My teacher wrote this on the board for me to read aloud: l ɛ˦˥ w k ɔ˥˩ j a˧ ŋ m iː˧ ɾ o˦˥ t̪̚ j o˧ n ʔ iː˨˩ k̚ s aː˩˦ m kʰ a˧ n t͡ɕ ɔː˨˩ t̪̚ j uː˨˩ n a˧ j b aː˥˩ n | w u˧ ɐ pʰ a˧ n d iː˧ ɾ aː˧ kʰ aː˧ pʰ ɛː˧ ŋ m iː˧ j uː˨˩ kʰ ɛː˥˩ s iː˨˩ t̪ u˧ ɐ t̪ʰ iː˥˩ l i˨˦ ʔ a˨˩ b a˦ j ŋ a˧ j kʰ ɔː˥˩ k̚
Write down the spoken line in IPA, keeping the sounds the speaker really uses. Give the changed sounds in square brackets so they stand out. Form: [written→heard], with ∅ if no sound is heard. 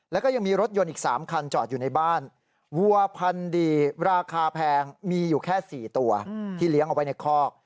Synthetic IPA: l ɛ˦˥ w k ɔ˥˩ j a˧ ŋ m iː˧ ɾ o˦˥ t̪̚ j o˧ n ʔ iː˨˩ k̚ s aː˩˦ m kʰ a˧ n t͡ɕ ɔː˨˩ t̪̚ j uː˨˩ n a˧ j b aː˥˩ n | w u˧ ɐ pʰ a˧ n d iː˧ ɾ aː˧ kʰ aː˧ pʰ ɛː˧ ŋ m iː˧ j uː˨˩ kʰ ɛː˥˩ s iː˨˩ t̪ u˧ ɐ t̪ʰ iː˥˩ l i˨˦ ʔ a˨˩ [b→w] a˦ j [ŋ→n] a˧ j kʰ ɔː˥˩ k̚